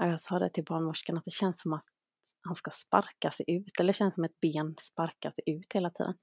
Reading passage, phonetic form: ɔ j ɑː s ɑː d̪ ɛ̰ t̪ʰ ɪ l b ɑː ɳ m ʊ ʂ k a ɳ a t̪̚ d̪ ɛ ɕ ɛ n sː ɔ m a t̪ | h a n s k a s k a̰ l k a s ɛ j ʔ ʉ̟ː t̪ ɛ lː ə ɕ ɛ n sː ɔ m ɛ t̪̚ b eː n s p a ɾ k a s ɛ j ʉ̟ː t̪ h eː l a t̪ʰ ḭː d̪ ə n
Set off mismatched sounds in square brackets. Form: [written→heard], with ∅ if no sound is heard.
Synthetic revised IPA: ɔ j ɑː s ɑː d̪ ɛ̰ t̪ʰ ɪ l b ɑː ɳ m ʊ ʂ k a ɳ a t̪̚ d̪ ɛ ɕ ɛ n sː ɔ m a t̪ | h a n s k a s [k→p] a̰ [l→ɾ] k a s ɛ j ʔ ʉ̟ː t̪ ɛ lː ə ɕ ɛ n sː ɔ m ɛ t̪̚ b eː n s p a ɾ k a s ɛ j ʉ̟ː t̪ h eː l a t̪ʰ ḭː d̪ ə n